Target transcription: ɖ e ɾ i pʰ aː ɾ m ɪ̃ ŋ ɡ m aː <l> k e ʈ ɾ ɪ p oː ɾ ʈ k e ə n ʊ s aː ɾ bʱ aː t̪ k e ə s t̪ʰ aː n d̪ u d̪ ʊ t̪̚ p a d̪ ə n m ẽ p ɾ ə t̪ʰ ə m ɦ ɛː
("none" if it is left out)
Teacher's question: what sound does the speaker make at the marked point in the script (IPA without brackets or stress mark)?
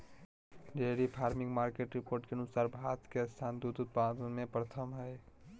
ɾ